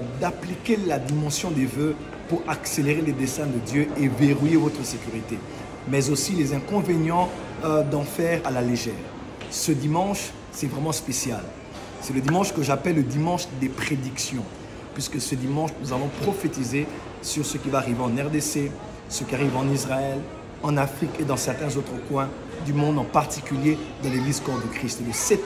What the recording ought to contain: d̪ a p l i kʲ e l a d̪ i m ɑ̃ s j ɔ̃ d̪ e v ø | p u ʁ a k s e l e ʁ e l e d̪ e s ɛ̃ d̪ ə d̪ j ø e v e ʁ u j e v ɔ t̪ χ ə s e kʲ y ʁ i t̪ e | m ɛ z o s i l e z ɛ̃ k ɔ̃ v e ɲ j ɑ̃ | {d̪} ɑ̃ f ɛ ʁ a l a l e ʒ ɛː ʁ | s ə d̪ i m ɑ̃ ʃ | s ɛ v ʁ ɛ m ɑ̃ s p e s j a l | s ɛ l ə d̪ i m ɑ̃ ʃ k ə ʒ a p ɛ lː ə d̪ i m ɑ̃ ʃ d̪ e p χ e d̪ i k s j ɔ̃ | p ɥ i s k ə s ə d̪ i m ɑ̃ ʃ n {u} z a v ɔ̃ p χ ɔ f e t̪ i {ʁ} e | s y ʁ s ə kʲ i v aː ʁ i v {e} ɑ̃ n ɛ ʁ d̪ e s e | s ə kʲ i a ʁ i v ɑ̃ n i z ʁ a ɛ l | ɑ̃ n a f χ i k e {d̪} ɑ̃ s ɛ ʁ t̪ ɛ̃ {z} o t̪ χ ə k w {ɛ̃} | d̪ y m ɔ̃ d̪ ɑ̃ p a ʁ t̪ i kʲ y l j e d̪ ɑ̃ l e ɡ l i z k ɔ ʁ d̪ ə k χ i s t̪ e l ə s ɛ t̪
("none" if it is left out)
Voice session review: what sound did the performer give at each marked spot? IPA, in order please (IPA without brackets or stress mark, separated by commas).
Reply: d̪, u, z, e, d̪, z, ɛ̃